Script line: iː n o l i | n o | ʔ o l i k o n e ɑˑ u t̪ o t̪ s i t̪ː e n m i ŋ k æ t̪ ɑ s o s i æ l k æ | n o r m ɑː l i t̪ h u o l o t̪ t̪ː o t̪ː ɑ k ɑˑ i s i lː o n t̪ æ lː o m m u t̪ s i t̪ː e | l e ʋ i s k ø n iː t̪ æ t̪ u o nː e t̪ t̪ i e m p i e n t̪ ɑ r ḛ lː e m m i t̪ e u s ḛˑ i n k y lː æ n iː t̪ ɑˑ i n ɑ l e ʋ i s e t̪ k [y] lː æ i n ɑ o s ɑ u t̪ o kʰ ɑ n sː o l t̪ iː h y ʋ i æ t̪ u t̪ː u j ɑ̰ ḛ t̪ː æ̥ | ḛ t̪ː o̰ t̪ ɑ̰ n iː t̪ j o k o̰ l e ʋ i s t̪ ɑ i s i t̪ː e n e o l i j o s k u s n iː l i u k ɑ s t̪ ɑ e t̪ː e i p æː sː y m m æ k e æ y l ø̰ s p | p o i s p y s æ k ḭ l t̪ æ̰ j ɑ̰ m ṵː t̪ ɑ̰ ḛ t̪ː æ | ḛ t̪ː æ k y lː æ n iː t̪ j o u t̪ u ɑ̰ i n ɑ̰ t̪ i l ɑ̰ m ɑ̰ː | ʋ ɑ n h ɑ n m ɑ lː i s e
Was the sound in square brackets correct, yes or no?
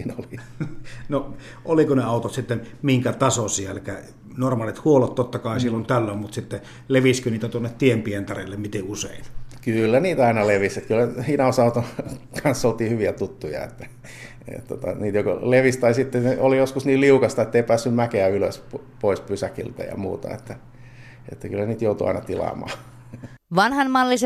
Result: yes